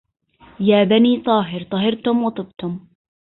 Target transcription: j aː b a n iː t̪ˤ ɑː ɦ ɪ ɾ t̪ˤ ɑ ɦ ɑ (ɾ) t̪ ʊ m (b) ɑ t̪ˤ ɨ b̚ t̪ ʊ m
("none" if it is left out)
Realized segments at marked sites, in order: ɾ, w

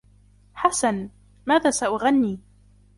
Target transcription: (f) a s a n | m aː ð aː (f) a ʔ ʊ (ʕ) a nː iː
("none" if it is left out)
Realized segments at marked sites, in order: ħ, s, ɣ

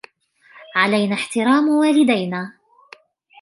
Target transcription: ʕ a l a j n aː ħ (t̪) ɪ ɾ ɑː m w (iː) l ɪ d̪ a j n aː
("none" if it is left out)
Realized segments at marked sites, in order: t̪, aː

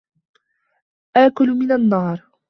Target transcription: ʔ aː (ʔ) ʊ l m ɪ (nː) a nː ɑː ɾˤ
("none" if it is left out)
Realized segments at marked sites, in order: k, n

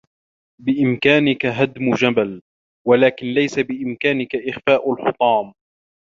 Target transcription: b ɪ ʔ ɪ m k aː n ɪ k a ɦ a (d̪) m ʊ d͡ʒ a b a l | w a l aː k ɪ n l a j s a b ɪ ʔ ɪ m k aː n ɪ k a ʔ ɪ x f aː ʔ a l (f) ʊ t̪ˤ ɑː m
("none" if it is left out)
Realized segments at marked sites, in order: d̪, ħ

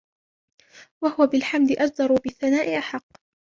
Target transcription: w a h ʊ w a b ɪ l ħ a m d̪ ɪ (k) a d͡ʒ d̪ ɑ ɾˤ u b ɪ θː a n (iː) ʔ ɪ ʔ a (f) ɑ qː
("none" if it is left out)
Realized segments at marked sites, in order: ʔ, aː, ħ

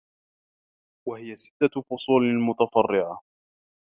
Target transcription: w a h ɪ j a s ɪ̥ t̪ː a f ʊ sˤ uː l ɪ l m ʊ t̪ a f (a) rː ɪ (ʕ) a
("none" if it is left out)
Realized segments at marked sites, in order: ɑ, ʕ

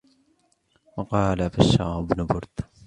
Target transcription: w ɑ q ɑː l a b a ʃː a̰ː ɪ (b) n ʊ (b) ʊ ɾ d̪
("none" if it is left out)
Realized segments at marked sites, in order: b, b

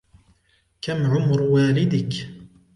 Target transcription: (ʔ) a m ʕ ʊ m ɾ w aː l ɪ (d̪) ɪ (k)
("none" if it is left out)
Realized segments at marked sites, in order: k, d̪, k

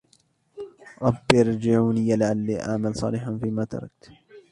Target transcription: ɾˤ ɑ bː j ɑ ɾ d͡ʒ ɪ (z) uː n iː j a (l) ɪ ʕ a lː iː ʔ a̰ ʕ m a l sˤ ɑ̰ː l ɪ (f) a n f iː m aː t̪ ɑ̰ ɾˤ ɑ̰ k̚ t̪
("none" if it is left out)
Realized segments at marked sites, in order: ʕ, l, ħ

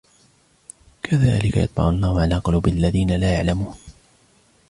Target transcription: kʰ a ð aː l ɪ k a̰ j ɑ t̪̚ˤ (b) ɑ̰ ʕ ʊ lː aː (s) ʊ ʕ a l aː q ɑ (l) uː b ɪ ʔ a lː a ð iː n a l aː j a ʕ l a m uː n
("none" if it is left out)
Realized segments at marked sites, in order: b, h, l

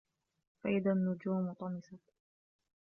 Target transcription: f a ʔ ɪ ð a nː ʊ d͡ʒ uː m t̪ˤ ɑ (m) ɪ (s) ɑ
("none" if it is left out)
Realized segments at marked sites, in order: m, s

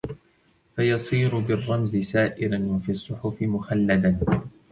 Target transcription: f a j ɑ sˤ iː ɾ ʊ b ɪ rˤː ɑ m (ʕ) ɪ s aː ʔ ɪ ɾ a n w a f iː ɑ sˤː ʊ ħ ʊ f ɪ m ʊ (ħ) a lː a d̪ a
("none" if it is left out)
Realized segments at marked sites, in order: z, x

